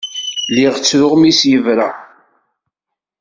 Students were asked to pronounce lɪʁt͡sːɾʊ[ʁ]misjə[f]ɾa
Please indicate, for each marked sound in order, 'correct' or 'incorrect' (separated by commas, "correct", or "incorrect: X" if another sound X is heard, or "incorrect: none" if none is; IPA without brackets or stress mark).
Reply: correct, incorrect: v